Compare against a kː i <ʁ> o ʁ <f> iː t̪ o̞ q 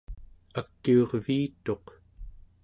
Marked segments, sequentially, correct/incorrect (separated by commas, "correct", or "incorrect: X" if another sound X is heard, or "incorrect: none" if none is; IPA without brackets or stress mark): incorrect: none, incorrect: v